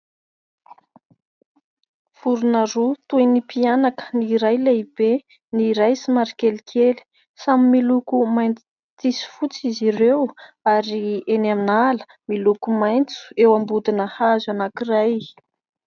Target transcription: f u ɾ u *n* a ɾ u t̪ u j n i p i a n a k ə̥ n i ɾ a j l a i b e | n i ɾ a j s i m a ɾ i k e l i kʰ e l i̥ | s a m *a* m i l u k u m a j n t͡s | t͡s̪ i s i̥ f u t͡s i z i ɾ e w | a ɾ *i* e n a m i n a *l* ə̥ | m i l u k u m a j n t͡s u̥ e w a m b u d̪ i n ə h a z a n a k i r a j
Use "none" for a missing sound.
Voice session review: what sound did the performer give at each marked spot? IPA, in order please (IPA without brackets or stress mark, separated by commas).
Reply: n, i, i, l